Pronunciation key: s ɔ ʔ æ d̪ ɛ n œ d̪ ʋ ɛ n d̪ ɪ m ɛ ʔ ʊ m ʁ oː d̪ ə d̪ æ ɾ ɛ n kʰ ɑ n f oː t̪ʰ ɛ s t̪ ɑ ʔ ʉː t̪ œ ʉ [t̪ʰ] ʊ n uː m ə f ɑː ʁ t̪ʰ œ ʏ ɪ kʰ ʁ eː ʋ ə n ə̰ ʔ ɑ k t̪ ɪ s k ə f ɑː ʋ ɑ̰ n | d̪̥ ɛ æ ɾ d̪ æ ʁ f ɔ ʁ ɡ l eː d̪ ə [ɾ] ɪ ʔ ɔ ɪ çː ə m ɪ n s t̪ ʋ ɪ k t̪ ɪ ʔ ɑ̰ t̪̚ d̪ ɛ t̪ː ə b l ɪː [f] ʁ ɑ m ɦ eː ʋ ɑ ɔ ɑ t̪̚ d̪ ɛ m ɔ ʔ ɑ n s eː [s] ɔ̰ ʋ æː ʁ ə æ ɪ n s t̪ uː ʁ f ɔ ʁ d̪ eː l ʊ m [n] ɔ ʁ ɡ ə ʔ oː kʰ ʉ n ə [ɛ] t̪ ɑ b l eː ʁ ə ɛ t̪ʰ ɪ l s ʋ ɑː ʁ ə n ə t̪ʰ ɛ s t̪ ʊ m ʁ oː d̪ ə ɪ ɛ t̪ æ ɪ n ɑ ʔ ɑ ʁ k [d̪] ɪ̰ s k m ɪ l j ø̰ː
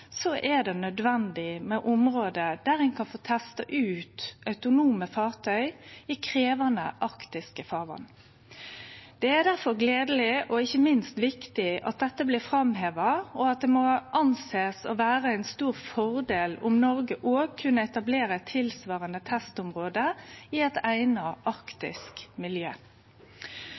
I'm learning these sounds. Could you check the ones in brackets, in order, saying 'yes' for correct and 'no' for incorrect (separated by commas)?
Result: no, no, yes, yes, yes, yes, no